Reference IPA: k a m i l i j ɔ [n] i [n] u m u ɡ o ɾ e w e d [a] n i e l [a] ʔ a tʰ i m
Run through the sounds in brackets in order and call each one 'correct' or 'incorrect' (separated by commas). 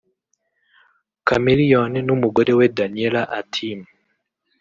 correct, correct, correct, correct